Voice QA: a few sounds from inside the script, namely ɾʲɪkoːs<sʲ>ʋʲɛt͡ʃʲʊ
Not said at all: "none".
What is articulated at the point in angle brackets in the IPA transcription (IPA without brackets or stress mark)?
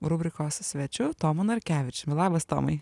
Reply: sʲ